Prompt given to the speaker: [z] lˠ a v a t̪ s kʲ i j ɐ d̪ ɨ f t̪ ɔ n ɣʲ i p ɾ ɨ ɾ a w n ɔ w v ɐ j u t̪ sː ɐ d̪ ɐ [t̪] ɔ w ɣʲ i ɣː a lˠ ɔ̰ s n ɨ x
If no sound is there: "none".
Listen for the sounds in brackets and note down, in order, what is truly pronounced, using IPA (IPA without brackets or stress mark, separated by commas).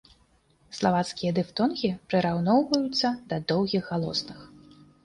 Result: s, d̪